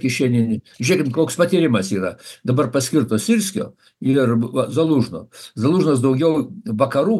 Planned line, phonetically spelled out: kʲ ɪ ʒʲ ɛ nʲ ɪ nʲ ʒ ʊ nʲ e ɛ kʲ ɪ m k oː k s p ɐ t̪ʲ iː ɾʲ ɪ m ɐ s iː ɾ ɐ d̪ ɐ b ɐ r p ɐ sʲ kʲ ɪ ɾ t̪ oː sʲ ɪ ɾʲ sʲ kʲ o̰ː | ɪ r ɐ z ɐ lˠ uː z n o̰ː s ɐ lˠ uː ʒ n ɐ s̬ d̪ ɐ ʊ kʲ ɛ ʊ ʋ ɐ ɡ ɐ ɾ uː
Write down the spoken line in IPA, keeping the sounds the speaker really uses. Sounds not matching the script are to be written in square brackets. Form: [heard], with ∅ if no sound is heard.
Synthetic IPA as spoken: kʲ ɪ [ʃʲ] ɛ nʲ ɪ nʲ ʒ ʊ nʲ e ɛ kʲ ɪ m k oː k s p ɐ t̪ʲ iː ɾʲ ɪ m ɐ s iː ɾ ɐ d̪ ɐ b ɐ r p ɐ sʲ kʲ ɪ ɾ t̪ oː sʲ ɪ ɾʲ sʲ kʲ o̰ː | ɪ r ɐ z ɐ lˠ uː [ʒ] n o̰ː [z] ɐ lˠ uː ʒ n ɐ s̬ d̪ ɐ ʊ [ɡʲ] ɛ ʊ ʋ ɐ [k] ɐ ɾ uː

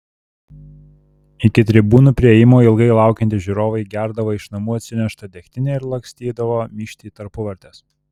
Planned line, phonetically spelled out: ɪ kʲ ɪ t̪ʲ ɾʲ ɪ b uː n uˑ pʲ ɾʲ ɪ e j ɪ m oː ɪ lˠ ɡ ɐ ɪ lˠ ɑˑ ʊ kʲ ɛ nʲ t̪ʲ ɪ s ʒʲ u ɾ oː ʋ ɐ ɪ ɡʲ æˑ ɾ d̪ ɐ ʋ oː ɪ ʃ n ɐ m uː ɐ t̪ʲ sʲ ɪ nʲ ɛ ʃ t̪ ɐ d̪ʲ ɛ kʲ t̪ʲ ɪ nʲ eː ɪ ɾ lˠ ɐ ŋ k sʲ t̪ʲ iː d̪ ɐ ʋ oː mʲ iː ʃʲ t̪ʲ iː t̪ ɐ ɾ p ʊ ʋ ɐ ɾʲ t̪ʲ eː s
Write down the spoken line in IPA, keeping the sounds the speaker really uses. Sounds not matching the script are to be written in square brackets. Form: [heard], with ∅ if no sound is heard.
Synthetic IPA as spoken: ɪ kʲ ɪ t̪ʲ ɾʲ ɪ b uː n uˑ pʲ ɾʲ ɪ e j ɪ m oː ɪ lˠ ɡ ɐ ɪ lˠ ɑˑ ʊ kʲ ɛ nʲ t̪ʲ ɪ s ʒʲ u ɾ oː ʋ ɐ ɪ ɡʲ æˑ ɾ d̪ ɐ ʋ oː ɪ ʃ n ɐ m uː ɐ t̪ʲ sʲ ɪ nʲ ɛ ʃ t̪ ɐ d̪ʲ ɛ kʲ t̪ʲ ɪ nʲ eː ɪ ɾ lˠ ɐ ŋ k sʲ t̪ʲ iː d̪ ɐ ʋ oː mʲ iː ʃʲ t̪ʲ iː t̪ ɐ ɾ p ʊ ʋ ɐ ɾʲ t̪ʲ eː s

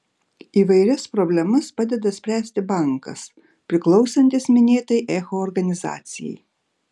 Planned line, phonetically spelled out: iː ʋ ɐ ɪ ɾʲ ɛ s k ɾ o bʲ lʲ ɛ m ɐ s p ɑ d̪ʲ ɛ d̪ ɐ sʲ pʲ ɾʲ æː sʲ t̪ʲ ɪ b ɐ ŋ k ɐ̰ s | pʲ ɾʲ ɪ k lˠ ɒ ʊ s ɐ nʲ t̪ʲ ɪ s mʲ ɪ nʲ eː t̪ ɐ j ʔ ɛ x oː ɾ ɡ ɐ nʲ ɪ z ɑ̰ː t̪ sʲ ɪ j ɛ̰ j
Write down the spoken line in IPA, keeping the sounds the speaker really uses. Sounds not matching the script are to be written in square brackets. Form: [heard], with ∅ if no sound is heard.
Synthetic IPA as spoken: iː ʋ ɐ ɪ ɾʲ ɛ s [p] ɾ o bʲ lʲ ɛ m ɐ s p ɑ d̪ʲ ɛ d̪ ɐ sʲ pʲ ɾʲ æː sʲ t̪ʲ ɪ b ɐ ŋ k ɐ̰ s | pʲ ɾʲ ɪ k lˠ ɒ ʊ s ɐ nʲ t̪ʲ ɪ s mʲ ɪ nʲ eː t̪ ɐ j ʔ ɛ x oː ɾ ɡ ɐ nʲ ɪ z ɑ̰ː t̪ sʲ ɪ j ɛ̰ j

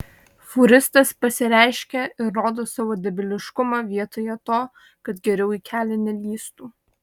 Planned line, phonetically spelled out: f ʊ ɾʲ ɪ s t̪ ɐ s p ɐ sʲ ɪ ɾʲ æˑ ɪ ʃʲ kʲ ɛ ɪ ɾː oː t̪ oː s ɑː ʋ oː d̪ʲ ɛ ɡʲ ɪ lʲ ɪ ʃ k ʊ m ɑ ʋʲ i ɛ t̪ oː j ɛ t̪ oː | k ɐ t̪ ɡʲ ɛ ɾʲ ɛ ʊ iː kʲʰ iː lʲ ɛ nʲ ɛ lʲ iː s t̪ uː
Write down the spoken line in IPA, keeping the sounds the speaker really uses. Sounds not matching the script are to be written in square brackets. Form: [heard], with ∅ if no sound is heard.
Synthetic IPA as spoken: f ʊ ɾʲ ɪ s t̪ ɐ s p ɐ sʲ ɪ ɾʲ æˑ ɪ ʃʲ kʲ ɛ ɪ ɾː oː [d̪] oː s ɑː ʋ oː d̪ʲ ɛ [bʲ] ɪ lʲ ɪ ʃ k ʊ m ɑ ʋʲ i ɛ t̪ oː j ɛ t̪ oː | k ɐ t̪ ɡʲ ɛ ɾʲ ɛ ʊ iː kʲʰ [æː] lʲ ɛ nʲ ɛ lʲ iː s t̪ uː

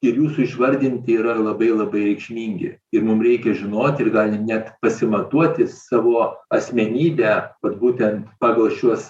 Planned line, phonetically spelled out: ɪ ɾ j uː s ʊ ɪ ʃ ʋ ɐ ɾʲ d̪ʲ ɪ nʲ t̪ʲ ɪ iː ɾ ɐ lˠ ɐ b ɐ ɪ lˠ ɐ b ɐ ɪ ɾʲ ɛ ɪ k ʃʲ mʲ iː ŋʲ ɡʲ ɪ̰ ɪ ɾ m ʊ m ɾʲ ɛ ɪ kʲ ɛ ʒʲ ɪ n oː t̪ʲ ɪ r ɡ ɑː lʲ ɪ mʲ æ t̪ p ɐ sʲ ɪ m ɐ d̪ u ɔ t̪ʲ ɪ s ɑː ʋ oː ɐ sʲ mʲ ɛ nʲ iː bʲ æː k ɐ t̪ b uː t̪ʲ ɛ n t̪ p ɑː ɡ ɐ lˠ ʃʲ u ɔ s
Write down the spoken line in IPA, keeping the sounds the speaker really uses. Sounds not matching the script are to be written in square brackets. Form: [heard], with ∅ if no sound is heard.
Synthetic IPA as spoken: ɪ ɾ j uː s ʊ ɪ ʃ ʋ ɐ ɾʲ d̪ʲ ɪ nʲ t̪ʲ ɪ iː ɾ ɐ lˠ ɐ b ɐ ɪ lˠ ɐ b ɐ ɪ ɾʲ ɛ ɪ k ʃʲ mʲ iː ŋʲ ɡʲ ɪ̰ ɪ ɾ m ʊ m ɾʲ ɛ ɪ kʲ ɛ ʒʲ ɪ n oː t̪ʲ ɪ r ɡ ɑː lʲ ɪ [nʲ] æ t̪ p ɐ sʲ ɪ m ɐ [t̪] u ɔ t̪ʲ ɪ s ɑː ʋ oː ɐ sʲ mʲ ɛ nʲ iː bʲ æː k ɐ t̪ b uː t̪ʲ ɛ n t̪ p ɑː ɡ ɐ lˠ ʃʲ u ɔ s

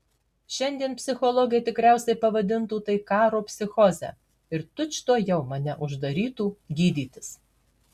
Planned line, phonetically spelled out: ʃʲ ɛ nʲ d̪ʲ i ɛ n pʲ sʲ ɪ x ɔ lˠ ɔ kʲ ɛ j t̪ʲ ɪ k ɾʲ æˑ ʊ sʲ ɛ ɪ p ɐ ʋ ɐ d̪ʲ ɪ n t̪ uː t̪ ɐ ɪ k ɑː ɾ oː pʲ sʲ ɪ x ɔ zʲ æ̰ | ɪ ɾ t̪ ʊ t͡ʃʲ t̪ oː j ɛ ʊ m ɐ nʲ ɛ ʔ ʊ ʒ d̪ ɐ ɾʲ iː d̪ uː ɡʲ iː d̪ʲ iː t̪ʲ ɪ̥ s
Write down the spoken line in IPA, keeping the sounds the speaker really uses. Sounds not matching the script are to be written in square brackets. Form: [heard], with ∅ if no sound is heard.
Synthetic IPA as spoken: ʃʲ ɛ nʲ d̪ʲ i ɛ n pʲ sʲ ɪ x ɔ lˠ ɔ [ɡʲ] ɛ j t̪ʲ ɪ k ɾʲ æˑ ʊ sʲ ɛ ɪ p ɐ ʋ ɐ d̪ʲ ɪ n t̪ uː t̪ ɐ ɪ k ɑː ɾ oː pʲ sʲ ɪ x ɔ zʲ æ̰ | ɪ ɾ t̪ ʊ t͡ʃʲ t̪ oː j ɛ ʊ m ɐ nʲ ɛ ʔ ʊ ʒ d̪ ɐ ɾʲ iː [t̪] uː ɡʲ iː d̪ʲ iː t̪ʲ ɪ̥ s

